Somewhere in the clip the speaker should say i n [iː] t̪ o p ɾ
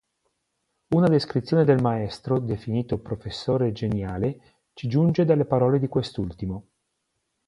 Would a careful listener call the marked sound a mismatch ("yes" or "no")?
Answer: no